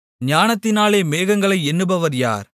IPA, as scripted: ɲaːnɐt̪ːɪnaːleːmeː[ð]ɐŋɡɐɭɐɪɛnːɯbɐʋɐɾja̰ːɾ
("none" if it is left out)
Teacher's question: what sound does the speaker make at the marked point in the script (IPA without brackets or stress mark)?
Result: ɣ